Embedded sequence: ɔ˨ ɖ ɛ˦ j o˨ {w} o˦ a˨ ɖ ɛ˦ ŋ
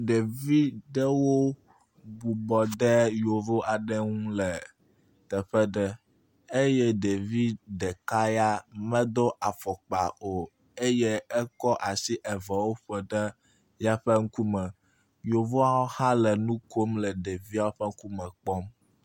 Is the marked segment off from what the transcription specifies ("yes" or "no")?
yes